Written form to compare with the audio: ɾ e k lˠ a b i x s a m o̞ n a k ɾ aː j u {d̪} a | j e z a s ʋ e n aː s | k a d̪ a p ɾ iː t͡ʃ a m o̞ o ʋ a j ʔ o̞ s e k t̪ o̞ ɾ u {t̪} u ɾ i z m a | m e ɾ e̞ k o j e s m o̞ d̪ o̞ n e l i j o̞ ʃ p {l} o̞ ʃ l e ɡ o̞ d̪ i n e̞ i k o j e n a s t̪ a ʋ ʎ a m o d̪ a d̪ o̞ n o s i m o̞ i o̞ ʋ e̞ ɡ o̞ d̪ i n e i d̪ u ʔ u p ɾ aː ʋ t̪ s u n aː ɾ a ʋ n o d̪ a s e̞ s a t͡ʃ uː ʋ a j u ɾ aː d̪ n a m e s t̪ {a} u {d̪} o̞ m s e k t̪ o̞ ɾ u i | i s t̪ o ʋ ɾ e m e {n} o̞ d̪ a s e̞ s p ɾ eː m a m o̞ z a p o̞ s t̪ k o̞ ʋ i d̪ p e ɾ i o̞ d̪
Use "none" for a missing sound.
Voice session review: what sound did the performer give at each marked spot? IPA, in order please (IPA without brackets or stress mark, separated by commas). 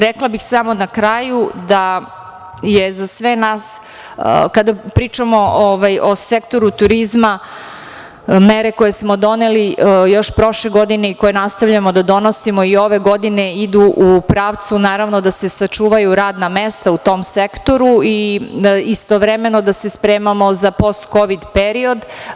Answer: d̪, t̪, ɾ, a, t̪, n